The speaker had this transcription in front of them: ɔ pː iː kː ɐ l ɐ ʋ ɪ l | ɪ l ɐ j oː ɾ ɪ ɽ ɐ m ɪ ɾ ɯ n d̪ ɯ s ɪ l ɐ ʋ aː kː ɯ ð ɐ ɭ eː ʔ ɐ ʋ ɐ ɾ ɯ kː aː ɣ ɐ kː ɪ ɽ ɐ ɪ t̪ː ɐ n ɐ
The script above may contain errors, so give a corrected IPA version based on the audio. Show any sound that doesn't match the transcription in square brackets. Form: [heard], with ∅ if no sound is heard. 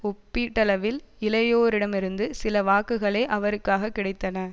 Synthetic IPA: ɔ pː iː [ʈː] ɐ l ɐ ʋ ɪ l | ɪ l ɐ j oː ɾ ɪ ɽ ɐ m ɪ ɾ ɯ n d̪ ɯ s ɪ l ɐ ʋ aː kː ɯ [ɣ] ɐ ɭ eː ʔ ɐ ʋ ɐ ɾ ɯ kː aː ɣ ɐ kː ɪ ɽ ɐ ɪ t̪ː ɐ n ɐ

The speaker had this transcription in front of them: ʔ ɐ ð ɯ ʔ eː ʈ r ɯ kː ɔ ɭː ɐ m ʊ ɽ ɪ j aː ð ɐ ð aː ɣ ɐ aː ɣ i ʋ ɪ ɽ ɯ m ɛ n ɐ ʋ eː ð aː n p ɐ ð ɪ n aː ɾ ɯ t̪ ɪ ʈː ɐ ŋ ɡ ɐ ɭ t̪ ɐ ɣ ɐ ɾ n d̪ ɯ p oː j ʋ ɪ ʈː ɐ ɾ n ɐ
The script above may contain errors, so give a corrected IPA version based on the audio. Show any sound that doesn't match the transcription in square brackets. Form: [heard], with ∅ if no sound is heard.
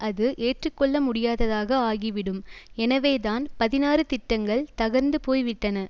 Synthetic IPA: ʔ ɐ ð ɯ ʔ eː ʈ r ɯ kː ɔ ɭː ɐ m ʊ ɽ ɪ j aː ð ɐ ð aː ɣ ɐ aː ɣ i ʋ ɪ ɽ ɯ m ɛ n ɐ ʋ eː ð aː n p ɐ ð ɪ n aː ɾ ɯ t̪ ɪ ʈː ɐ ŋ ɡ ɐ ɭ t̪ ɐ ɣ ɐ ɾ n d̪ ɯ p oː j ʋ ɪ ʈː ɐ [∅] n ɐ

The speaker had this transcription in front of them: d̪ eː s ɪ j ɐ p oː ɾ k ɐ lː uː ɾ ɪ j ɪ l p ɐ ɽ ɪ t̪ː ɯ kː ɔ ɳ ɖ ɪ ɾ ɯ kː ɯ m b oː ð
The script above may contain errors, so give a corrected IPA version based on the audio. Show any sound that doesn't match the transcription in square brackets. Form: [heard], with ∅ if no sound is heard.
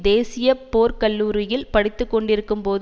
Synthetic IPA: d̪ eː s ɪ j ɐ p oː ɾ k ɐ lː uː ɾ ɪ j ɪ l p ɐ ɽ ɪ t̪ː ɯ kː ɔ ɳ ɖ ɪ ɾ ɯ kː ɯ m [p] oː ð

